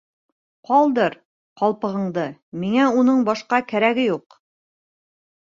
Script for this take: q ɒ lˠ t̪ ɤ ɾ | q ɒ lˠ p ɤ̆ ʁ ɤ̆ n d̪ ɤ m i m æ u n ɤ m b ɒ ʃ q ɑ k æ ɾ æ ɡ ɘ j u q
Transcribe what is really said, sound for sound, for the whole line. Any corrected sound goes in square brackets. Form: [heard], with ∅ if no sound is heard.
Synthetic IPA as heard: q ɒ lˠ [d̪] ɤ ɾ | q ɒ lˠ p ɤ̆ ʁ ɤ̆ [ɴ] d̪ ɤ m i [ŋ] æ u n ɤ [ɴ] b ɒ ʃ q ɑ k æ ɾ æ ɡ ɘ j u q